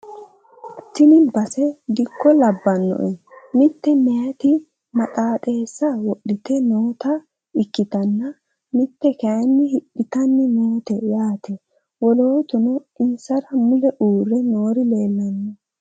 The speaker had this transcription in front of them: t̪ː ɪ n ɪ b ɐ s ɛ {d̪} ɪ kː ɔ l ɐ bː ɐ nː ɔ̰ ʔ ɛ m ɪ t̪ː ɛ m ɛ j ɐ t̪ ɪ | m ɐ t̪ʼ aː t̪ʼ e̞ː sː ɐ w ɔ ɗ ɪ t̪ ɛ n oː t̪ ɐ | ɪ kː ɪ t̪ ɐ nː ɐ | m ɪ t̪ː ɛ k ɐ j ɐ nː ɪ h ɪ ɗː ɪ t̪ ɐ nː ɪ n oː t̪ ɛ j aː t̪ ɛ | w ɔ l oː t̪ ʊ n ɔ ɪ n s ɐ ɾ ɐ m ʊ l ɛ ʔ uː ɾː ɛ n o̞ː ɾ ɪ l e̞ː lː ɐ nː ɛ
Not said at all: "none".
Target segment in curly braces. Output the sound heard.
d̪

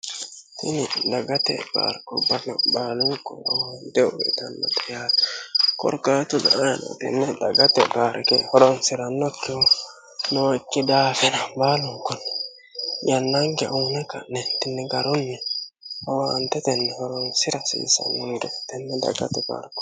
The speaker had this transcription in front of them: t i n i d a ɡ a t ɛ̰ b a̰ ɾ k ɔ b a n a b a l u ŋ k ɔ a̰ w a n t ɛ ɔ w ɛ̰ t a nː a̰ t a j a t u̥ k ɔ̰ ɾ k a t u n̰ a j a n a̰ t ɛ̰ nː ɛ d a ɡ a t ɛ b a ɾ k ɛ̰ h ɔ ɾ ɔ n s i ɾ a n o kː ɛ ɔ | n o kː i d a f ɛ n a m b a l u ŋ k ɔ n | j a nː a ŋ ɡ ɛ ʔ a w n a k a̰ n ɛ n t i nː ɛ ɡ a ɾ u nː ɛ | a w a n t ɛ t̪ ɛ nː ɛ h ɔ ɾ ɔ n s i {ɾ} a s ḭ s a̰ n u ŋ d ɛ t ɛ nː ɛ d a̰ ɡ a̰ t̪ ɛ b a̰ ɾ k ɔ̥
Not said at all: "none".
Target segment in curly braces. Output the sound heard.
ɾ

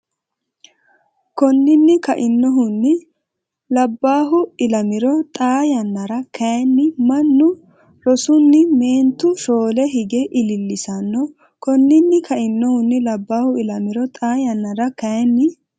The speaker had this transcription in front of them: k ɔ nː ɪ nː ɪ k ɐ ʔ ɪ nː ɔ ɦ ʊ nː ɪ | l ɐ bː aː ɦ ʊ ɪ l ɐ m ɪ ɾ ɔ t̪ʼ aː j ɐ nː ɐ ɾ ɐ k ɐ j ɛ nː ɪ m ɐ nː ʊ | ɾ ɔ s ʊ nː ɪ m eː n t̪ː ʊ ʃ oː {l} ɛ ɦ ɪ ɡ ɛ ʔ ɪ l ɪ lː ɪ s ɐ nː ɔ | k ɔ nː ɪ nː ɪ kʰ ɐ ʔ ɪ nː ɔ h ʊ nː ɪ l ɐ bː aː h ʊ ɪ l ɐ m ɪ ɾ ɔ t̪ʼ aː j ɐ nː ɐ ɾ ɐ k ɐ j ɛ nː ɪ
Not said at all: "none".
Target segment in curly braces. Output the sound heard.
l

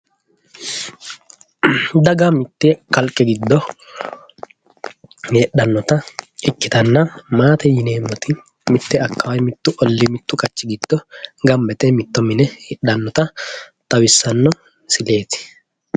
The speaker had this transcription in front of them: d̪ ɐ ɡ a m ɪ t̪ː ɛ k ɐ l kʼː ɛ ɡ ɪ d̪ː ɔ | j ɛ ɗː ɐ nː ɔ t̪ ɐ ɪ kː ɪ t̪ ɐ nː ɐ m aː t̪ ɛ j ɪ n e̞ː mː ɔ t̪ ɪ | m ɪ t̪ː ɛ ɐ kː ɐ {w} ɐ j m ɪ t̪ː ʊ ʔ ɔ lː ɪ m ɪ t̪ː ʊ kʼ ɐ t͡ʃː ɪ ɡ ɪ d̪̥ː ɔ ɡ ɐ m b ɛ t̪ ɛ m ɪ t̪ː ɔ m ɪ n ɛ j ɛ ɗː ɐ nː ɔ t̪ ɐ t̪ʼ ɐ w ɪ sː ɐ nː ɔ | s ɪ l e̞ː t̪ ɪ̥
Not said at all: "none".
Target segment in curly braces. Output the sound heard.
w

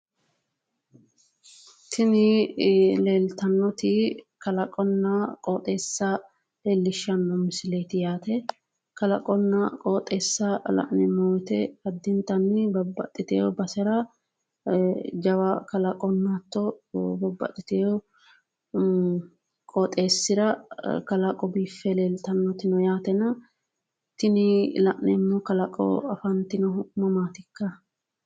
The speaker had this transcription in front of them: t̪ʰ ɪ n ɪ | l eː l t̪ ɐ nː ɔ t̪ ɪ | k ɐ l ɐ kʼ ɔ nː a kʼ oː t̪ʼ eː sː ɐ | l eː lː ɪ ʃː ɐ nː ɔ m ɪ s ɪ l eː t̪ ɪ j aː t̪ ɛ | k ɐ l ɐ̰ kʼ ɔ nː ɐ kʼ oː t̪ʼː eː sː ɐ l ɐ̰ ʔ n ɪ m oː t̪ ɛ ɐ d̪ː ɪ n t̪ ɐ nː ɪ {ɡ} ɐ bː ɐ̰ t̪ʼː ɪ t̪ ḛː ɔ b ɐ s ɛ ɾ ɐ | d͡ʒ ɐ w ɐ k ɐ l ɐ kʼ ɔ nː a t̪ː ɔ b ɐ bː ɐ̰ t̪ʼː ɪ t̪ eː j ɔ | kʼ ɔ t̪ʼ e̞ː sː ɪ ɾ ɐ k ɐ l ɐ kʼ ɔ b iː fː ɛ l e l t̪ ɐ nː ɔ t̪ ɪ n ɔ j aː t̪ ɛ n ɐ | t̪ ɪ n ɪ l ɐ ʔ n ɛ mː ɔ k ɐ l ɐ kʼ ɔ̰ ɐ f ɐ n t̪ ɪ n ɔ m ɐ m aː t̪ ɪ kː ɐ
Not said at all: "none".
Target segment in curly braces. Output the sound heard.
b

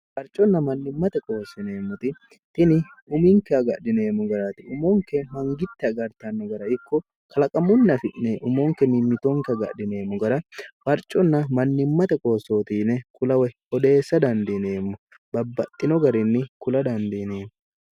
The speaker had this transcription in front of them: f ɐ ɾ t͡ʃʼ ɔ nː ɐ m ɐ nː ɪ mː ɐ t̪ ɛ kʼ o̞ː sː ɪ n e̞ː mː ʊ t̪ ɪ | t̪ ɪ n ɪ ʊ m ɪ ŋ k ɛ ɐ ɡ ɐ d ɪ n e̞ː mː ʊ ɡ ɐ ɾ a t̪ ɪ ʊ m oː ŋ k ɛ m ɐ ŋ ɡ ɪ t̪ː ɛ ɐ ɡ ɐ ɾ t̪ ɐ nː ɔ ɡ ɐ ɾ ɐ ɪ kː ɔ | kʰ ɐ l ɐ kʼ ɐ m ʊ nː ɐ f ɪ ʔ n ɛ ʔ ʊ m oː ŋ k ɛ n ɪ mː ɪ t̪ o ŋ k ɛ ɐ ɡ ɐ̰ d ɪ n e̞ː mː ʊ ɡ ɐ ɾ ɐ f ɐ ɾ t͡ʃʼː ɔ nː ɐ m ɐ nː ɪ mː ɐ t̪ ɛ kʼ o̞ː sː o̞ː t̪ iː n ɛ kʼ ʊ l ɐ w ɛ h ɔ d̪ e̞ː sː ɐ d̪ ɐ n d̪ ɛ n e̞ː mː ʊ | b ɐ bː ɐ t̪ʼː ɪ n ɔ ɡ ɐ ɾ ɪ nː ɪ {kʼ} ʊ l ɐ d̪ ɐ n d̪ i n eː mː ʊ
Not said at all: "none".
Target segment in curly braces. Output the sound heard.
k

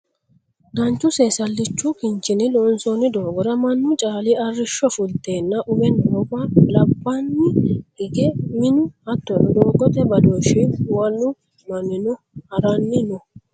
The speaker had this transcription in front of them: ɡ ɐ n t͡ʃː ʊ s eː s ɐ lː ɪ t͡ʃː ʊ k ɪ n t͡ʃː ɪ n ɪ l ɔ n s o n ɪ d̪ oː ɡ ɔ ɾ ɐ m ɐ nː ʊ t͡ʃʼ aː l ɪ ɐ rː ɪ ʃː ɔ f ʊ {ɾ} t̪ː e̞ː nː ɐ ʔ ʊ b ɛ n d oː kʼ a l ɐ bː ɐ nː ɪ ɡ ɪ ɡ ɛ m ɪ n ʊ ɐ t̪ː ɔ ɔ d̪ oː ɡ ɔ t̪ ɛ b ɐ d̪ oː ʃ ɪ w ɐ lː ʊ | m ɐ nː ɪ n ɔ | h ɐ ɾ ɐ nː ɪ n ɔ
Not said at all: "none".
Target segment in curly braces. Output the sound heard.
l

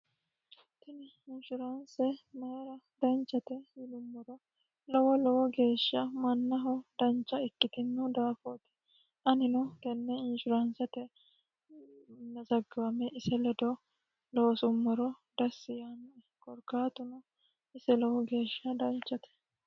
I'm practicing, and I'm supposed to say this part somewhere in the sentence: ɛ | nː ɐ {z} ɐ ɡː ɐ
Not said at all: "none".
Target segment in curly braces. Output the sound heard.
z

